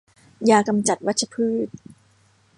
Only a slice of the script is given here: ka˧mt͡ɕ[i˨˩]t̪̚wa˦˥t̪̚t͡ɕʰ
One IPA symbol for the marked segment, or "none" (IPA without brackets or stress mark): a˨˩